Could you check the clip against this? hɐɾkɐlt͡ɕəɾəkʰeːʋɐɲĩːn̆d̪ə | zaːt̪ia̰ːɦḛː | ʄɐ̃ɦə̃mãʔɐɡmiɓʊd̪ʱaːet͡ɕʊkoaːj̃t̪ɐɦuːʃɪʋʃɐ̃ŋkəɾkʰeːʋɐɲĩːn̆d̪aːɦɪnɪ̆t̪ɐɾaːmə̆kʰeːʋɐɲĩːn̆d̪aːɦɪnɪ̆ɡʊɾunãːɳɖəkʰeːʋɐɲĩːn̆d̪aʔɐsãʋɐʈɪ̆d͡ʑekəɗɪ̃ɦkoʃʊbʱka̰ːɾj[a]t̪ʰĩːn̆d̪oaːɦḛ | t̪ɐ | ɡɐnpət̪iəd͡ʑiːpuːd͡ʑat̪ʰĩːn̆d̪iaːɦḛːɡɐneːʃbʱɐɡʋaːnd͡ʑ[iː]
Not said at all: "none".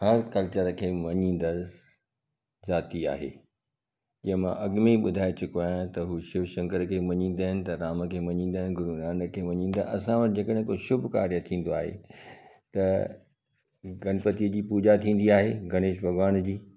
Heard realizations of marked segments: ə, iː

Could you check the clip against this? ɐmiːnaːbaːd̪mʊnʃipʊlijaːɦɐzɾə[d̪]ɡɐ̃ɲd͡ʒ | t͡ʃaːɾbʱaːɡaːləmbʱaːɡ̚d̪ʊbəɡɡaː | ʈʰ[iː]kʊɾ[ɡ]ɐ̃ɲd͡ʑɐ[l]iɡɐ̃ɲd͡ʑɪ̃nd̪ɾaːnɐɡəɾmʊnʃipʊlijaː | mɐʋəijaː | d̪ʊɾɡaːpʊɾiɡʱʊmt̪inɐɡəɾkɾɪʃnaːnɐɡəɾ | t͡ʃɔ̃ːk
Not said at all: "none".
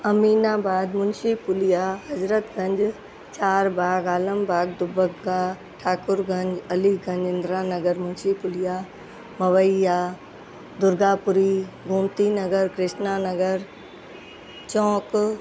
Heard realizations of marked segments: t̪, aː, ɡ, l

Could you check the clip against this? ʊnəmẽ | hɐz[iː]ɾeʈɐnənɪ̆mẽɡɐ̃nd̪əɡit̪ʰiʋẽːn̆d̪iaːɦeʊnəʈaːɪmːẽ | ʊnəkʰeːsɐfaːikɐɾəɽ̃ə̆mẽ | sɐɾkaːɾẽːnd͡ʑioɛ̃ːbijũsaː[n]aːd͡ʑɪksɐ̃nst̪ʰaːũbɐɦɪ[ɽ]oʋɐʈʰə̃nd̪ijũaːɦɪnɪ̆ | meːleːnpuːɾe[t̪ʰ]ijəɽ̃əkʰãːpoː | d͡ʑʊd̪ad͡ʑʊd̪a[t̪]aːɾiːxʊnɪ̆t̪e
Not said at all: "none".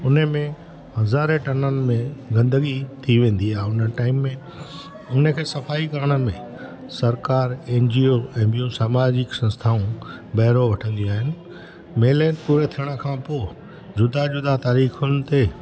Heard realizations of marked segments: aː, m, ɾ, t̪ʰ, t̪

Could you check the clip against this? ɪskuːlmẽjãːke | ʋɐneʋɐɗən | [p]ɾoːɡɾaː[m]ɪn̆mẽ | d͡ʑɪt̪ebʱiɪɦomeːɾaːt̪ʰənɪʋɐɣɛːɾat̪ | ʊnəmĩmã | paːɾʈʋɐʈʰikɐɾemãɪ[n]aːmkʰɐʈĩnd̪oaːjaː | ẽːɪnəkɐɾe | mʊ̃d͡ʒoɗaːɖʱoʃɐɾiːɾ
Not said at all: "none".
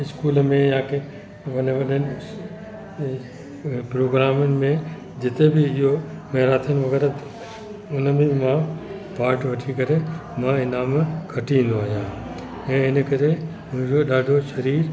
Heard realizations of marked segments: p, m, n

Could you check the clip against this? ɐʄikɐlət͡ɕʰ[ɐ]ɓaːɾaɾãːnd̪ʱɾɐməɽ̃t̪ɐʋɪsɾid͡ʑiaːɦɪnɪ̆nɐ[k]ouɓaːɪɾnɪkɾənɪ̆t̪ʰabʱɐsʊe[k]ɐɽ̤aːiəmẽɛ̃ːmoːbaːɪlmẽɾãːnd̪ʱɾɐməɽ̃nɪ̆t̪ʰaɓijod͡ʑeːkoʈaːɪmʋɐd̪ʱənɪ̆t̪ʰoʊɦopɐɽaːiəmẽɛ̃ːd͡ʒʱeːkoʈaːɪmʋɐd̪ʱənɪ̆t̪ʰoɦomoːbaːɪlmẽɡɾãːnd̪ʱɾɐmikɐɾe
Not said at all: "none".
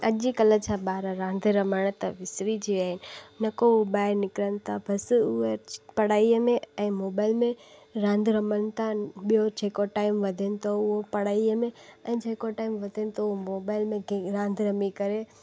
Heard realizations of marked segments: a, k, p

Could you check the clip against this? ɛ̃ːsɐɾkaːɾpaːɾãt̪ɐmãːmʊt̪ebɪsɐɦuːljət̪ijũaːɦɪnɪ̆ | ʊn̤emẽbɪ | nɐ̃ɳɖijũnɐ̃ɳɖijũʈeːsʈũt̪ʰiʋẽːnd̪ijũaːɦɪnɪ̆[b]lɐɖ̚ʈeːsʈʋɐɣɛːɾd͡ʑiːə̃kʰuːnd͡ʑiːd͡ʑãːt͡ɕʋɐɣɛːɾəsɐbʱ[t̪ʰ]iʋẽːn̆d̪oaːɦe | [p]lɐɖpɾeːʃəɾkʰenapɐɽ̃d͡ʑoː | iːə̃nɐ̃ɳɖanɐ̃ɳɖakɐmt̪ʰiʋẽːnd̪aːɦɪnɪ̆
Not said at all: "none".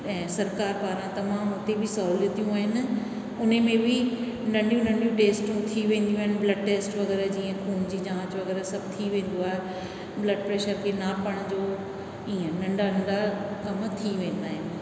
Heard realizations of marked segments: b, t̪ʰ, b

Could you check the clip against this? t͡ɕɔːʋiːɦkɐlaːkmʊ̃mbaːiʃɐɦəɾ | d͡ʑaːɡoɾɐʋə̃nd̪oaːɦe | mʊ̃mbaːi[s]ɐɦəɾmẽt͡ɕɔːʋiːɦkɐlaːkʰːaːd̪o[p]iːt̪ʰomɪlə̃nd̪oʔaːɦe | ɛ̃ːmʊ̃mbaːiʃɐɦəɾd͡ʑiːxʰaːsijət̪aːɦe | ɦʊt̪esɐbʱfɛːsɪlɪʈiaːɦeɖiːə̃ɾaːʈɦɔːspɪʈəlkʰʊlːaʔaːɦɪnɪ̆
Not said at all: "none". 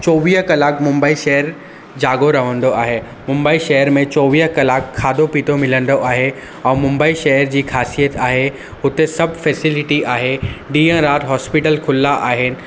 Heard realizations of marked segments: ʃ, p

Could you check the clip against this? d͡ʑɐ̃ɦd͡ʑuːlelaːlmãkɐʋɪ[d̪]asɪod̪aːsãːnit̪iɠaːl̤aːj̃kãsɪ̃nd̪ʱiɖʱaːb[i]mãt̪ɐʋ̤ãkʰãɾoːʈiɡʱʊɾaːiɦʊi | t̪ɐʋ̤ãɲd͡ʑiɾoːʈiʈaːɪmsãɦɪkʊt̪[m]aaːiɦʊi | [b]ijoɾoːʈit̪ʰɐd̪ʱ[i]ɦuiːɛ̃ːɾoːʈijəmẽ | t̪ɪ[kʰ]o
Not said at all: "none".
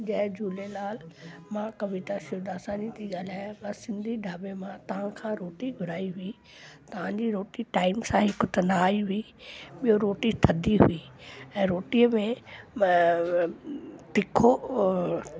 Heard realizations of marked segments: t̪, e, n, ɓ, i, kʰ

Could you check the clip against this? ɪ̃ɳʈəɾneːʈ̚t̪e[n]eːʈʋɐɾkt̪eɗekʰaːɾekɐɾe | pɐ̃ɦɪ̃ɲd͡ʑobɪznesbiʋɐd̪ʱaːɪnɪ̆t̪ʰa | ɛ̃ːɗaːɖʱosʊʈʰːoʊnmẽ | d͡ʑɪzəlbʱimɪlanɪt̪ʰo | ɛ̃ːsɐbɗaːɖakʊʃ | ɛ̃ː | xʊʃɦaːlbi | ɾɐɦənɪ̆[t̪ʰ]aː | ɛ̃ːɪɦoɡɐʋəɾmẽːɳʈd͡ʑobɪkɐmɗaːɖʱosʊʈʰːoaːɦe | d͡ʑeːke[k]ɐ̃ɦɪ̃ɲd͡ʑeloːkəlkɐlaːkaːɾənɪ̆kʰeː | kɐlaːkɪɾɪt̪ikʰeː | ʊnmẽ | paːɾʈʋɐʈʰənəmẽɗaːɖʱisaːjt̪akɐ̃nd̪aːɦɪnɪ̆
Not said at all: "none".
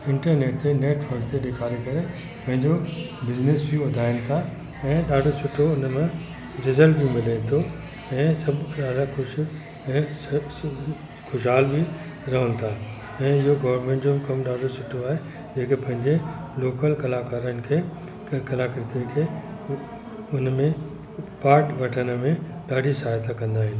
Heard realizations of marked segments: n, t̪ʰ, p

